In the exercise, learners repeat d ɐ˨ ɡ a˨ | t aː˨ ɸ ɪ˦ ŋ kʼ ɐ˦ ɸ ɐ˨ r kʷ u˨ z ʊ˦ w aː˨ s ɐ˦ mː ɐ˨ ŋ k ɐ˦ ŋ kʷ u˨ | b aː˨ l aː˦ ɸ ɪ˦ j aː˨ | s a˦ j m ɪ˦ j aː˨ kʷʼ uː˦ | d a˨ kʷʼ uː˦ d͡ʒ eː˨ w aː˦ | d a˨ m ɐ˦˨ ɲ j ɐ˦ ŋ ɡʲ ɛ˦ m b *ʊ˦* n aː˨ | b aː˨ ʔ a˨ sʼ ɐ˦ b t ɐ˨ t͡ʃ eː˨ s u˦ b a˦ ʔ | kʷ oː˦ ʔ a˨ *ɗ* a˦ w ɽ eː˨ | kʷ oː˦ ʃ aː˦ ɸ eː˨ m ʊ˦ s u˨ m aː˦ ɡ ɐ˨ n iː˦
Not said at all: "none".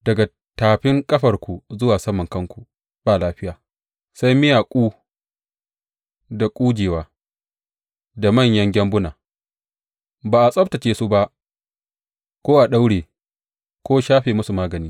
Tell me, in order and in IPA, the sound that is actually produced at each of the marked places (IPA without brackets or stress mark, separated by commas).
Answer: ʊ˦, ɗ